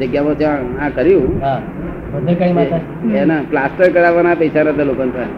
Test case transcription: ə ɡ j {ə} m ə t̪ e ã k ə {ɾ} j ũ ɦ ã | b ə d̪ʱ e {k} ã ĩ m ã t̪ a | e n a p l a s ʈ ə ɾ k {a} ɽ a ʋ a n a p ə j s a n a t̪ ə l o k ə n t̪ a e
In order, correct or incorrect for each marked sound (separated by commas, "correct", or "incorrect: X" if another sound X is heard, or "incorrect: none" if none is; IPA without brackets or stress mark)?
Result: incorrect: a, correct, correct, incorrect: ə